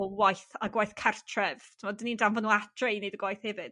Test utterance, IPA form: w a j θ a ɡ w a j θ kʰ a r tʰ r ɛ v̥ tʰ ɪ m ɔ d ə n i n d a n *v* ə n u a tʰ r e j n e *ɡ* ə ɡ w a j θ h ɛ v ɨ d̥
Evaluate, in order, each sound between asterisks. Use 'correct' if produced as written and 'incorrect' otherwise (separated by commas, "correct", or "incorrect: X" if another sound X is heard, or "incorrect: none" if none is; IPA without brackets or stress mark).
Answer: correct, incorrect: d